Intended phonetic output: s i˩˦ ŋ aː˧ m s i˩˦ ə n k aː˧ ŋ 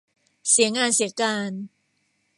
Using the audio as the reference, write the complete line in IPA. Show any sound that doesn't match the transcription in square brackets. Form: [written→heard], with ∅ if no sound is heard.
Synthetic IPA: s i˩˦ ŋ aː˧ [m→n] s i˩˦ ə [n→∅] k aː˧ [ŋ→n]